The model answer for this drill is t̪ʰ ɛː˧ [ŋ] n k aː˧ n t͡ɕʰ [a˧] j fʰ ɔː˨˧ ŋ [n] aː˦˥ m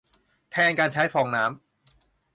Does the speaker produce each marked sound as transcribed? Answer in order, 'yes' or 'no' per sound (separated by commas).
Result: no, no, yes